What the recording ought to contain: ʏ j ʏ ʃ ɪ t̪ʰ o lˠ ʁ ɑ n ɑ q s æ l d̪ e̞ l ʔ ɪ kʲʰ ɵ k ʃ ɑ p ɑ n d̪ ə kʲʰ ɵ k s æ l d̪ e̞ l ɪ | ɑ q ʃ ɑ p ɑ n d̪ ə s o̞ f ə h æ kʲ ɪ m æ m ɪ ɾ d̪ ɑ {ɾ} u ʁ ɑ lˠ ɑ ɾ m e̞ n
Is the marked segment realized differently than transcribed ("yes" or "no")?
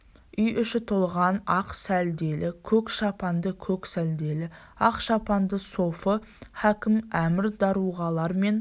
no